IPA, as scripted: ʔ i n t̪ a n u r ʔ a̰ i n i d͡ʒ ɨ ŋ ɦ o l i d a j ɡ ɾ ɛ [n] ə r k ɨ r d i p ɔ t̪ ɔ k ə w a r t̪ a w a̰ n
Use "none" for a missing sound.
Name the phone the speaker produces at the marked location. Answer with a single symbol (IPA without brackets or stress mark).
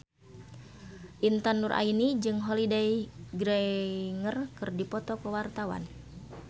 ŋ